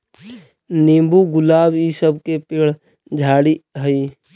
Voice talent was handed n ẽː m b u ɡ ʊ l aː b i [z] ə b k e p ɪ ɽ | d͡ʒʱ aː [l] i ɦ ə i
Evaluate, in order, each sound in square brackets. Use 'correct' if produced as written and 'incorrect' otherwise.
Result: incorrect: s, incorrect: ɽ

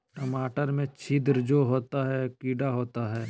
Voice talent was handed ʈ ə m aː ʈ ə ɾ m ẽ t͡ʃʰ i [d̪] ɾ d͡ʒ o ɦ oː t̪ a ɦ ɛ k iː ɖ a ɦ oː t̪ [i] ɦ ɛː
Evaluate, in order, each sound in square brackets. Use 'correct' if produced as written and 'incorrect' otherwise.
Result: correct, incorrect: a

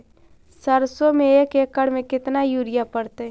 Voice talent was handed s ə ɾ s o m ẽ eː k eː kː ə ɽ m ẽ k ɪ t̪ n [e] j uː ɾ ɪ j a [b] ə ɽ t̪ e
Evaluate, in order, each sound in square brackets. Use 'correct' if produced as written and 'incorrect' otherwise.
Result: incorrect: a, incorrect: p

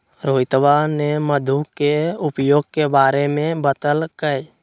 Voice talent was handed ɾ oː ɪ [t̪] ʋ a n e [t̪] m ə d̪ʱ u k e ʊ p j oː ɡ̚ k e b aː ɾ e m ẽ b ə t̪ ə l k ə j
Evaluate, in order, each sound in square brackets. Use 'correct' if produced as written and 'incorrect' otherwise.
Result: correct, incorrect: none

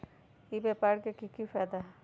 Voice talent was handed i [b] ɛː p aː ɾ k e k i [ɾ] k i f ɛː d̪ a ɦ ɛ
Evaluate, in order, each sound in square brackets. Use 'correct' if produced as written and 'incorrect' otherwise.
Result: correct, incorrect: none

